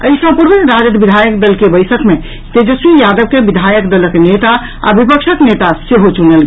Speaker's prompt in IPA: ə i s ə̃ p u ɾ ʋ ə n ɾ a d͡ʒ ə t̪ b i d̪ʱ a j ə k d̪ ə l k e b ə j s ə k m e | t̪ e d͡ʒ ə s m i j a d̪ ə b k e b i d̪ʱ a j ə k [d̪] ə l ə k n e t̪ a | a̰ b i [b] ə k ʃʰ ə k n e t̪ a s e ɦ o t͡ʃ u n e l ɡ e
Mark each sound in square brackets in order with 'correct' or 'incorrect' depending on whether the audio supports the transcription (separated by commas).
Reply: correct, incorrect